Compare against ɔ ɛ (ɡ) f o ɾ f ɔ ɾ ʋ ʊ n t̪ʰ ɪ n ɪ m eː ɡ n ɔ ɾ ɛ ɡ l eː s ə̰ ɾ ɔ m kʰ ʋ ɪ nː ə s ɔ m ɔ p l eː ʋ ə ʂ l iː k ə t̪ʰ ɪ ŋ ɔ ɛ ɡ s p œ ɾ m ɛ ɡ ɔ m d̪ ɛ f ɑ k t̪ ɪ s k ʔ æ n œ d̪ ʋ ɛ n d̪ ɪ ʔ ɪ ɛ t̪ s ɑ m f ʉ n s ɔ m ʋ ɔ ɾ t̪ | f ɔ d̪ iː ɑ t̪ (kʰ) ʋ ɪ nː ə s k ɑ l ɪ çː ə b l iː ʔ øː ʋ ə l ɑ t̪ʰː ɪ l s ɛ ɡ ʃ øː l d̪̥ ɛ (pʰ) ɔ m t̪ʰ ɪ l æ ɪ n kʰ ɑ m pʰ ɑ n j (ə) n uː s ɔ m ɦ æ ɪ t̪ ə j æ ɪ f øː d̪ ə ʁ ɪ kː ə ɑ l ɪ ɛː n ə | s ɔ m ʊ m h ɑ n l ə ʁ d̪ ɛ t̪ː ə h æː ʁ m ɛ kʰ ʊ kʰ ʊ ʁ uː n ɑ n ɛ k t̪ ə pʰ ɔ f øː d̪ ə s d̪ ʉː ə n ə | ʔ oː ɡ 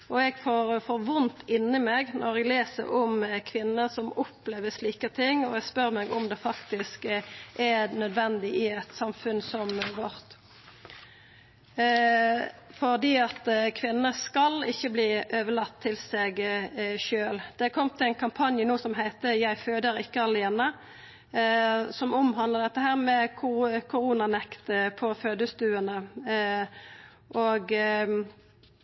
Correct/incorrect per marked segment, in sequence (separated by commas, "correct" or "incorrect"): correct, correct, incorrect, correct